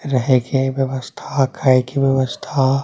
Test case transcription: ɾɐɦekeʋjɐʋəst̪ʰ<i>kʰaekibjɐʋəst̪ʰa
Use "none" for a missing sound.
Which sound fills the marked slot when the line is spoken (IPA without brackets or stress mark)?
a